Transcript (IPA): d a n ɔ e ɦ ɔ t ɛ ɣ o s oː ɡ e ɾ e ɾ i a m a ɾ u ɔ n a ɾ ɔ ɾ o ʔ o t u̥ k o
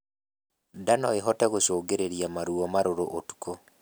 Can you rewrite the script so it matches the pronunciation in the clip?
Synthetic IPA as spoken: d a n ɔ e ɦ ɔ t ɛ ɣ o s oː ɡ e ɾ e ɾ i a m a ɾ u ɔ m a ɾ o ɾ o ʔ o t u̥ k o